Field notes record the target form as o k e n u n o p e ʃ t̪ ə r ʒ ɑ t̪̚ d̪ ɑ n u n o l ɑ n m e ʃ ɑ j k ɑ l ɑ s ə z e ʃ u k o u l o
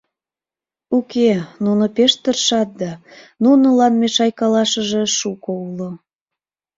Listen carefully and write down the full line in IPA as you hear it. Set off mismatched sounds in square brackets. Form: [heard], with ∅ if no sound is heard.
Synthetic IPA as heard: [u] k e n u n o p e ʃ t̪ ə r [ʃ] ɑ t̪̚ d̪ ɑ n u n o l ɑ n m e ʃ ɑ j k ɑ l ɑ [ʃ] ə [ʒ] e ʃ u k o u l o

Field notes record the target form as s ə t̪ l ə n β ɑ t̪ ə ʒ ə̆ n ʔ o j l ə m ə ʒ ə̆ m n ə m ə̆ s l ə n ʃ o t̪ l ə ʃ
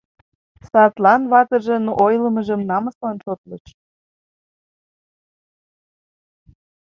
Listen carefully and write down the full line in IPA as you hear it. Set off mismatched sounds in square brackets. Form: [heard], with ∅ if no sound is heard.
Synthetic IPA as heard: s [ɑ] t̪ l [ɑ] n β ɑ t̪ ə ʒ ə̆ n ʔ o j l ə m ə ʒ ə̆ m n [ɑ] m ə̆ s l [ɑ] n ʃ o t̪ l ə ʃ

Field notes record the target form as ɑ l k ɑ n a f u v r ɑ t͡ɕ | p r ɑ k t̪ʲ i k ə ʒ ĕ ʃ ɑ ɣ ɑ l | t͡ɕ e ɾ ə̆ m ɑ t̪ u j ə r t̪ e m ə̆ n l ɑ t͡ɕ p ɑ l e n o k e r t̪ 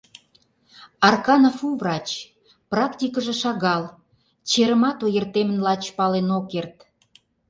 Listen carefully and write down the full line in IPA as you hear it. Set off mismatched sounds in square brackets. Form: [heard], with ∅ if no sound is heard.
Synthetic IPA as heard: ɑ [r] k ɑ n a f u v r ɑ t͡ɕ | p r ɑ k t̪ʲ i k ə ʒ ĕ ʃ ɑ ɣ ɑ l | t͡ɕ e ɾ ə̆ m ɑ t̪ [o] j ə r t̪ e m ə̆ n l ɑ t͡ɕ p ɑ l e n o k e r t̪

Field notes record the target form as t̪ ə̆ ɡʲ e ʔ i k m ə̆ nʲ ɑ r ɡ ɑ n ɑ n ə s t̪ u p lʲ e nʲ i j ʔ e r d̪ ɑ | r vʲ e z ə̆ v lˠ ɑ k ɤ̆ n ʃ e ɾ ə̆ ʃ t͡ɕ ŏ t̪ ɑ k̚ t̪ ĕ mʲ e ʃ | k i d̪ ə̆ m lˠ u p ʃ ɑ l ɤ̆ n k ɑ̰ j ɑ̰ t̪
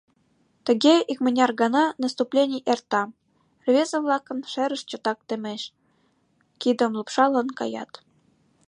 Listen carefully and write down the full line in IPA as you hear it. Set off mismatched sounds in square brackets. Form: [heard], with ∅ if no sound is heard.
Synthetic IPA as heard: t̪ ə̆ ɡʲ e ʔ i k m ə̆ nʲ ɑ r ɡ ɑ n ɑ n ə s t̪ u p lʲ e nʲ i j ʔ e r [t̪] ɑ | r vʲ e z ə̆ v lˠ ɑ k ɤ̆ n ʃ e ɾ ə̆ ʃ t͡ɕ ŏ t̪ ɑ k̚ t̪ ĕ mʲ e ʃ | k i d̪ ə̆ m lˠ u p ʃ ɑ l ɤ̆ n k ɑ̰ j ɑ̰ t̪

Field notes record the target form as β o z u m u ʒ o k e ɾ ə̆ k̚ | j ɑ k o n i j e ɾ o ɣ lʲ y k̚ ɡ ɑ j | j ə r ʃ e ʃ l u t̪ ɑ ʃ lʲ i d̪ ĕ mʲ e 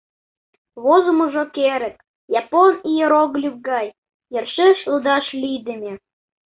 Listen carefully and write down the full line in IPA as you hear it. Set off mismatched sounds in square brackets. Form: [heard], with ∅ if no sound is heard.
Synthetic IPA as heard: β o z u m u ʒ o k e ɾ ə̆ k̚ | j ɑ [p] o n i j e ɾ o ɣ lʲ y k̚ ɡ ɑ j | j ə r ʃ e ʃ l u [d̪] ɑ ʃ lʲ i d̪ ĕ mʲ e

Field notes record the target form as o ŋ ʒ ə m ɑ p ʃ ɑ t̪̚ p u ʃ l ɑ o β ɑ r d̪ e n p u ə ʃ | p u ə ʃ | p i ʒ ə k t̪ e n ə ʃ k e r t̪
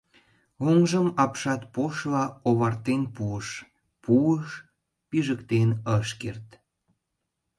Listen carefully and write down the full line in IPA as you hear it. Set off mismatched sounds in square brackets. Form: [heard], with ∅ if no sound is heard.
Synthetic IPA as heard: o ŋ ʒ ə m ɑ p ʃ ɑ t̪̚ p [o] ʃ l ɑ o β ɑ r [t̪] e n p u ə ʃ | p u ə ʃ | p i ʒ ə k t̪ e n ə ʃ k e r t̪

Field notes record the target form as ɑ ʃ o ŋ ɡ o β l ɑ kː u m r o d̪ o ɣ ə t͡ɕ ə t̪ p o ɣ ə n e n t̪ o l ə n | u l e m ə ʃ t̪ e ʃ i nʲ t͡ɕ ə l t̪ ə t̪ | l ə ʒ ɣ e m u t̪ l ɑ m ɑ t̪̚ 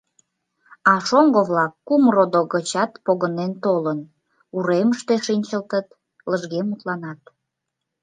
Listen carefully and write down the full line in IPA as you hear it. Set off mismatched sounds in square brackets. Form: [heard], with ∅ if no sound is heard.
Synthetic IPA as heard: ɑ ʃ o ŋ ɡ o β l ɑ kː u m r o d̪ o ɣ ə t͡ɕ [ɑ] t̪ p o ɣ ə n e n t̪ o l ə n | u [ɾ] e m ə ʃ t̪ e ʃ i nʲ t͡ɕ ə l t̪ ə t̪ | l ə ʒ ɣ e m u t̪ l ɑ [n] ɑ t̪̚

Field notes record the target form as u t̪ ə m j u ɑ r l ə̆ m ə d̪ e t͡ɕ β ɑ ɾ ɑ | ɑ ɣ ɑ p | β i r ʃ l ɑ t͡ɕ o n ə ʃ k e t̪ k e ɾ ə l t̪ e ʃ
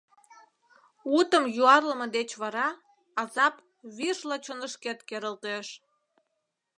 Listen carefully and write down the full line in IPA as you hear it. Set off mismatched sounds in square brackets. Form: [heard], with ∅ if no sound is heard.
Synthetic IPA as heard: u t̪ ə m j u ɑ r l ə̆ m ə d̪ e t͡ɕ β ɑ ɾ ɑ | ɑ [z] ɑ p | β i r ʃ l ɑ t͡ɕ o n ə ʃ k e t̪ k e ɾ ə l t̪ e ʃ

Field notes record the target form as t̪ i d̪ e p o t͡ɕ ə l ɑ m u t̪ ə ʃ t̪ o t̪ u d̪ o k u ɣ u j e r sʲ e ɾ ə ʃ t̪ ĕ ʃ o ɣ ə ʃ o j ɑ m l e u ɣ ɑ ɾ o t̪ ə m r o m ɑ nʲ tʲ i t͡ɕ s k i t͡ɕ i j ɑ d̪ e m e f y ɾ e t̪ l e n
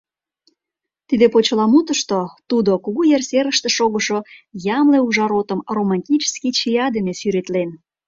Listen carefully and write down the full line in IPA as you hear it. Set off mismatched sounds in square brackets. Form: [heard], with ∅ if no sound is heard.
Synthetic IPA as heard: t̪ i d̪ e p o t͡ɕ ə l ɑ m u t̪ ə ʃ t̪ o t̪ u d̪ o k u ɣ u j e r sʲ e ɾ ə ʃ t̪ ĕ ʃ o ɣ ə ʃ o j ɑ m l e u [ʒ] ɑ ɾ o t̪ ə m r o m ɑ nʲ tʲ i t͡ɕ s k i t͡ɕ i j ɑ d̪ e [n] e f y ɾ e t̪ l e n

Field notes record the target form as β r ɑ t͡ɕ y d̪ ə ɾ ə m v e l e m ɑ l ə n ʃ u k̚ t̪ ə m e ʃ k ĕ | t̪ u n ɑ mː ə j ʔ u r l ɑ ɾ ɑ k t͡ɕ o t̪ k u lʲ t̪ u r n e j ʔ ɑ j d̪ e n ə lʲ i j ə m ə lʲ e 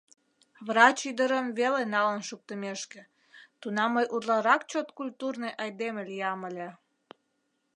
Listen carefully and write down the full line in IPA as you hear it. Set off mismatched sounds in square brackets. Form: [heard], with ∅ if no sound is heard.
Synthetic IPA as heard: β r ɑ t͡ɕ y d̪ ə ɾ ə m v e l e [n] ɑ l ə n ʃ u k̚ t̪ ə m e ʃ k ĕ | t̪ u n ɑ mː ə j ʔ u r l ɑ ɾ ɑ k t͡ɕ o t̪ k u lʲ t̪ u r n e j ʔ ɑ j d̪ e [m] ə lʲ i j [ɑ] m ə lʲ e

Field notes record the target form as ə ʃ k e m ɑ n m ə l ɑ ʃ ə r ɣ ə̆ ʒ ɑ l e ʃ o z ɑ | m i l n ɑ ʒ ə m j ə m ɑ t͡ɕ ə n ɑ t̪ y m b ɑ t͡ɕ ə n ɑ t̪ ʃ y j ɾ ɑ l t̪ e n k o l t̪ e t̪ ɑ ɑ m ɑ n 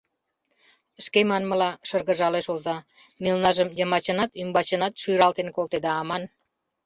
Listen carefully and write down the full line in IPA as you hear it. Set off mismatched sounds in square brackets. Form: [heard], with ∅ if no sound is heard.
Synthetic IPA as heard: ə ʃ k e m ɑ n m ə l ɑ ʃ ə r ɣ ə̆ ʒ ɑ l e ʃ o z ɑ | m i l n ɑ ʒ ə m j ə m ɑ t͡ɕ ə n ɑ t̪ y m b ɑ t͡ɕ ə n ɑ t̪ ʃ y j ɾ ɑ l t̪ e n k o l t̪ e [d̪] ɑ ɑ m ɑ n

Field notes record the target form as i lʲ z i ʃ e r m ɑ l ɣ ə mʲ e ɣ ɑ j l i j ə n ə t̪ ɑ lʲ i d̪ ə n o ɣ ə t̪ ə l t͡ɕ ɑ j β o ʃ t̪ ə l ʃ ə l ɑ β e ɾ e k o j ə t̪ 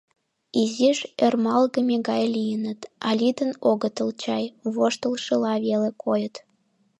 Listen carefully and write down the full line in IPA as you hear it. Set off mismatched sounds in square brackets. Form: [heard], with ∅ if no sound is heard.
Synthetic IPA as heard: i [∅] z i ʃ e r m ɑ l ɣ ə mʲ e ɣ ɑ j l i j ə n ə t̪ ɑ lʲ i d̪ ə n o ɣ ə t̪ ə l t͡ɕ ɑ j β o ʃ t̪ ə l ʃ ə l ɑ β e [l] e k o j ə t̪

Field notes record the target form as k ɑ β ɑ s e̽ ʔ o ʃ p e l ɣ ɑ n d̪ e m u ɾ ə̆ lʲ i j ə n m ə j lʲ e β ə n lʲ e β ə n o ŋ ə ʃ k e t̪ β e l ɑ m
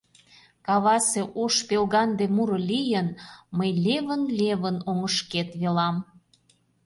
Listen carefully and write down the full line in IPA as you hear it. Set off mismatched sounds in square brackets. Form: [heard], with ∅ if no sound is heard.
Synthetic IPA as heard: k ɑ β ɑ s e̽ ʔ o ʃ p e l ɣ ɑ n d̪ e m u ɾ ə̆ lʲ i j ə n m ə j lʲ e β ə n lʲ e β ə n o ŋ ə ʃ k e t̪ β e l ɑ m

